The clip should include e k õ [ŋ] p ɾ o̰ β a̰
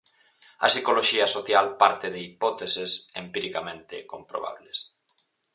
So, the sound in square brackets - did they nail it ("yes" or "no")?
no